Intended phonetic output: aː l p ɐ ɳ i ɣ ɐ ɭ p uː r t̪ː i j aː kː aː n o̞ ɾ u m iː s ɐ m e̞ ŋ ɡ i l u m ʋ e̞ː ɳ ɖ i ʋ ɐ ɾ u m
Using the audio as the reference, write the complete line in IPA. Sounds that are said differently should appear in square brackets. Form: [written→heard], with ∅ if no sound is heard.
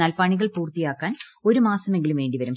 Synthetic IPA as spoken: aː l p ɐ ɳ i ɣ ɐ ɭ p uː r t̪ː i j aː kː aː n o̞ ɾ u m [iː→aː] s ɐ m e̞ ŋ ɡ i l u m ʋ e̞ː ɳ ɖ i ʋ ɐ ɾ u m